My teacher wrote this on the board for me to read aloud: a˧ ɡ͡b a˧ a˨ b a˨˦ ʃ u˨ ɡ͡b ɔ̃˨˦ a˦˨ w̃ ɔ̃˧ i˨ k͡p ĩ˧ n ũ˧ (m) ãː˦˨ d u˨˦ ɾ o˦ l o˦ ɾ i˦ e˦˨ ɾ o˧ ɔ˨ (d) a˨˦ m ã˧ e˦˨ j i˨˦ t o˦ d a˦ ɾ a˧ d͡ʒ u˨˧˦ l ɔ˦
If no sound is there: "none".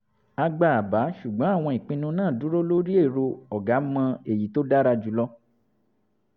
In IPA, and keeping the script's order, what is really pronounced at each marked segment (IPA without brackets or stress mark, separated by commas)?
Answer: n, ɡ